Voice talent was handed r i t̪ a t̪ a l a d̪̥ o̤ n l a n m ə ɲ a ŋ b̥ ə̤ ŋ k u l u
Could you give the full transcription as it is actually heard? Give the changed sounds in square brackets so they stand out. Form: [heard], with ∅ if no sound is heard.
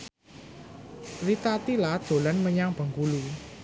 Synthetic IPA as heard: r i t̪ a t̪ [i] l a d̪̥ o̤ [∅] l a n m ə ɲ a ŋ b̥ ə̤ ŋ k u l u

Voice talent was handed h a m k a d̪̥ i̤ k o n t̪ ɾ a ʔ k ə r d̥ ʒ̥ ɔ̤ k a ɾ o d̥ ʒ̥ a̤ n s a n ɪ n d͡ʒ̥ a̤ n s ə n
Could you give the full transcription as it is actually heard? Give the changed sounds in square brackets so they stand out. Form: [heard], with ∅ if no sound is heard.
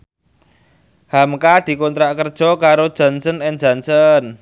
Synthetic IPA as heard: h a m k a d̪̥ i̤ k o n t̪ ɾ a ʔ k ə r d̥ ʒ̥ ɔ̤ k a ɾ o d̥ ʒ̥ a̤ n s [ə] n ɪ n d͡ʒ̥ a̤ n s ə n

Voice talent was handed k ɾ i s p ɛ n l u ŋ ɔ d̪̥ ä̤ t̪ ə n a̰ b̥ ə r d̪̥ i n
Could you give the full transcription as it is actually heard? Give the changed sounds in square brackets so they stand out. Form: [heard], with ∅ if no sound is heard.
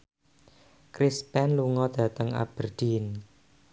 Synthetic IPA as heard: k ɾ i s p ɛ n l u ŋ ɔ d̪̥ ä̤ t̪ ə [ŋ] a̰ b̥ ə r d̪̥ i n

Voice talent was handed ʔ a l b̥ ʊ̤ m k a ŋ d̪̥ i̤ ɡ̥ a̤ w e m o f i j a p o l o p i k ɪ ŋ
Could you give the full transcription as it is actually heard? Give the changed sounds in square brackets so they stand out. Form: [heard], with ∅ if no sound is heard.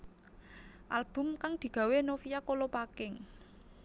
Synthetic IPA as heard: ʔ a l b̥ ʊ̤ m k a ŋ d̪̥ i̤ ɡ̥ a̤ w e [n] o f i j a [k] o l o p [a] k ɪ ŋ

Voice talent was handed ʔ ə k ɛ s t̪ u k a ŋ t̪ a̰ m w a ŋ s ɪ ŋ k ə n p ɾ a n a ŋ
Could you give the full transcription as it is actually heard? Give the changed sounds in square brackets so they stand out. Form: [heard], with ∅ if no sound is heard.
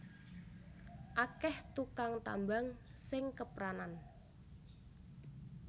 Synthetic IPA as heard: ʔ [a] k ɛ [h] t̪ u k a ŋ t̪ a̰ m [b] a ŋ s ɪ ŋ k ə [∅] p ɾ a n a [n]

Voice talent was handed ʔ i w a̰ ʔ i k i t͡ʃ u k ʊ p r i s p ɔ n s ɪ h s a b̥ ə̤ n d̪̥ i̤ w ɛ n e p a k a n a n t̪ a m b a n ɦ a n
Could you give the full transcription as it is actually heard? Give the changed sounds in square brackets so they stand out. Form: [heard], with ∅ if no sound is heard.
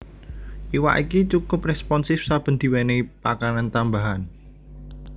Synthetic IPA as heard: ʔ i w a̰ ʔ i k i t͡ʃ u k ʊ p r [ɛ] s p ɔ n s ɪ [f] s a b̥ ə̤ n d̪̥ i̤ w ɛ n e p a k a n a n t̪ a m b a [∅] ɦ a n

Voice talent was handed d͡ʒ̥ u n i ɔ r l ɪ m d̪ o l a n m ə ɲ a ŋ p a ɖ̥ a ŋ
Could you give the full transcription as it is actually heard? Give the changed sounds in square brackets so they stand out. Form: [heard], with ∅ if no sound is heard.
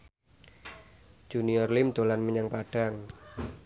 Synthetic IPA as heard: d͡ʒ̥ u n i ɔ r l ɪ m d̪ o l a n m ə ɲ a ŋ p a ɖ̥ a ŋ

